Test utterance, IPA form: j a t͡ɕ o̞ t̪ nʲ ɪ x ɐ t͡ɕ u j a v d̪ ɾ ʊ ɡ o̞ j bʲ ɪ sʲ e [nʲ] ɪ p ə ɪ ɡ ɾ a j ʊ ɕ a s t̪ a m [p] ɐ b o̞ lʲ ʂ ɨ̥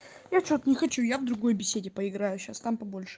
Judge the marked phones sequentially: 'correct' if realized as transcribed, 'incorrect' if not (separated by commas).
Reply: incorrect, correct